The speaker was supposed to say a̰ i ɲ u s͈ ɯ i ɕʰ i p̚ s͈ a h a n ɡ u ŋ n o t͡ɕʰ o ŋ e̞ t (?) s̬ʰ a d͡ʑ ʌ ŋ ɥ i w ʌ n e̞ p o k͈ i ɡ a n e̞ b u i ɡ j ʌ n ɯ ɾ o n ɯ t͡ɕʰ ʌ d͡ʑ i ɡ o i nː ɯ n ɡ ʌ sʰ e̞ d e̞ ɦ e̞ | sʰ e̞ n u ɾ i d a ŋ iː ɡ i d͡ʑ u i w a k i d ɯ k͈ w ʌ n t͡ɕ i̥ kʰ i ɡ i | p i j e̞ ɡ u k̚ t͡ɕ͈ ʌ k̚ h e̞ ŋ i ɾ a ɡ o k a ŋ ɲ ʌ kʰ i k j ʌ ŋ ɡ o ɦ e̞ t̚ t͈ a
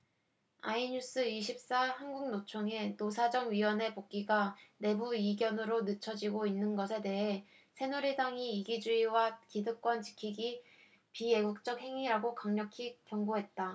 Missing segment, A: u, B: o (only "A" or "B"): B